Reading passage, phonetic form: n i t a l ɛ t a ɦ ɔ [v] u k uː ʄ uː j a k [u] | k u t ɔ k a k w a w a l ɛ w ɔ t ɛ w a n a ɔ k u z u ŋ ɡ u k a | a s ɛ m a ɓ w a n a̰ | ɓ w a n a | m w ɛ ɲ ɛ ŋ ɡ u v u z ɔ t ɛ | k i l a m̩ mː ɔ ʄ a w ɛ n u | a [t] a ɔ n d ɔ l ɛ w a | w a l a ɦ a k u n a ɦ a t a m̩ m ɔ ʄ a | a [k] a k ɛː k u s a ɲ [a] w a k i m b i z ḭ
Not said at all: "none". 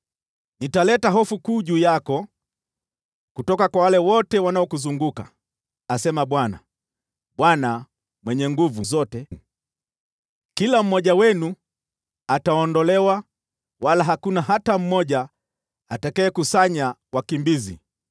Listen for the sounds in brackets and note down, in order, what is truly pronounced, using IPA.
f, ɔ, t, t, a

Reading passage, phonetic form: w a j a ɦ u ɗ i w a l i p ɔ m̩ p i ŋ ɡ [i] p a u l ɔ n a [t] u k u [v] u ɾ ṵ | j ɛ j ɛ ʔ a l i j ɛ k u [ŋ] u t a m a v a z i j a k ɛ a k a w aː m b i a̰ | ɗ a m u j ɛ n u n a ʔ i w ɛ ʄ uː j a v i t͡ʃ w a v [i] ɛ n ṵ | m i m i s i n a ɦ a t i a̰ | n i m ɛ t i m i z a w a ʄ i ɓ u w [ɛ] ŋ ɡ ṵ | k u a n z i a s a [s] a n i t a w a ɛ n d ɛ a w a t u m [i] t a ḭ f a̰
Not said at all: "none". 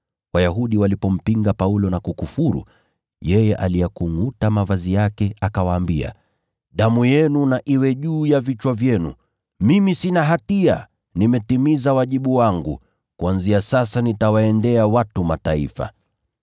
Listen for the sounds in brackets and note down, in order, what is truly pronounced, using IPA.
a, k, f, ŋ, j, a, s, a

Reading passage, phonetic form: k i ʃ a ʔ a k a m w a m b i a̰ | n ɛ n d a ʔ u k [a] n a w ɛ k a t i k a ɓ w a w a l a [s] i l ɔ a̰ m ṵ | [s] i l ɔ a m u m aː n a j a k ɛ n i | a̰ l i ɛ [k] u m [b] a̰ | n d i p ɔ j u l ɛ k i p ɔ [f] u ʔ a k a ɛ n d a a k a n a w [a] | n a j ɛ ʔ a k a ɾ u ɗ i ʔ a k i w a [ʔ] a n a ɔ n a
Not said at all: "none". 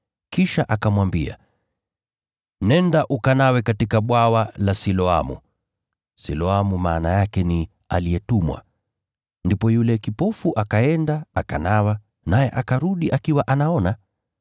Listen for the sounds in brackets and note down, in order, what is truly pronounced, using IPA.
a, s, s, t, w, f, a, ʔ

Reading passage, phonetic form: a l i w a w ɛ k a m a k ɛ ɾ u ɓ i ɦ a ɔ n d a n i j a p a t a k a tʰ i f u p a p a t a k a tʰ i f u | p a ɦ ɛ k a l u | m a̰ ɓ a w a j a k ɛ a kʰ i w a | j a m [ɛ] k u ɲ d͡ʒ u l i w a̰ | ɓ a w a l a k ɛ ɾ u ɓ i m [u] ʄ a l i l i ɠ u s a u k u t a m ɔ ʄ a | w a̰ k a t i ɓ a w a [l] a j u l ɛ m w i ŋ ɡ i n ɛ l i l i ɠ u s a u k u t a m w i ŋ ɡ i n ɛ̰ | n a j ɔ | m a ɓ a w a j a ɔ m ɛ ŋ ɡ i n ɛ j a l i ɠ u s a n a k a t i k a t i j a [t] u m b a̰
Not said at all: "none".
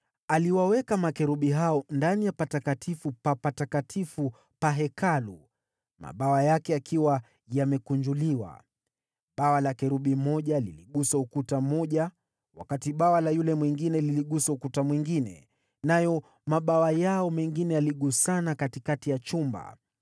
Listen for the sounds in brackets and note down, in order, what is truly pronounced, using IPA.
ɛ, ɔ, l, t͡ʃ

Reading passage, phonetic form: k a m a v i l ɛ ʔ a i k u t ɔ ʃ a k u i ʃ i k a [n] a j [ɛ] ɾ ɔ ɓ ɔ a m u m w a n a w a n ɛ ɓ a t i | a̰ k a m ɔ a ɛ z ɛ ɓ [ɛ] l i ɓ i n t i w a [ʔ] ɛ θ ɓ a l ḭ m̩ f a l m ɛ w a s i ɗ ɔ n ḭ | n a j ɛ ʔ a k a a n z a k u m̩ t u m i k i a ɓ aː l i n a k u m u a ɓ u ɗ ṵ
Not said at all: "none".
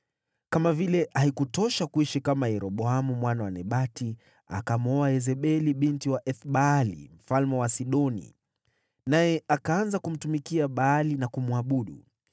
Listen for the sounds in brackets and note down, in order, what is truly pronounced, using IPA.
m, ɛ, ɛ, ʔ

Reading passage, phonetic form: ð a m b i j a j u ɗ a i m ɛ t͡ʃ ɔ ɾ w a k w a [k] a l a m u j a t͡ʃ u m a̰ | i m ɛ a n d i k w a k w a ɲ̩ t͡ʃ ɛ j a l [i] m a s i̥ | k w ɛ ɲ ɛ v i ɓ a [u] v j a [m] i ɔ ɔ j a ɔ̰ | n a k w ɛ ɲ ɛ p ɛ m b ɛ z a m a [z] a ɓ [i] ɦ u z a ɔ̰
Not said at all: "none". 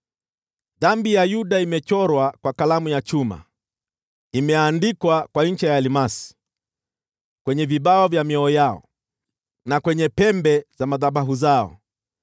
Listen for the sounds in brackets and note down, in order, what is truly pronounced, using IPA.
k, i, ɔ, m, ð, a

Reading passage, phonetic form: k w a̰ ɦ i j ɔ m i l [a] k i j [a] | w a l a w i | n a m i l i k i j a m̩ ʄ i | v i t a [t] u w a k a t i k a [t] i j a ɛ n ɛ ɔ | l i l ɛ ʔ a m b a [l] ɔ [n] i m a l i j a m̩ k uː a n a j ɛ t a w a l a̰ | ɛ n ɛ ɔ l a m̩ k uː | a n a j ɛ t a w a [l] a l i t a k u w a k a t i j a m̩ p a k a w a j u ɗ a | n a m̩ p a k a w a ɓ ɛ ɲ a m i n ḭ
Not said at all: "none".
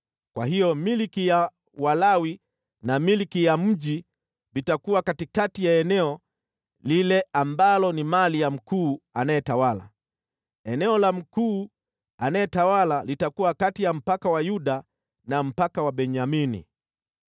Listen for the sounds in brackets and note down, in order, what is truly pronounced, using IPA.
i, a, k, t, l, n, l

